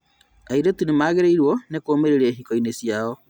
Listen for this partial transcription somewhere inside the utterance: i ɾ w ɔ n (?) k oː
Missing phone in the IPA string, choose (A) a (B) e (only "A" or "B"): B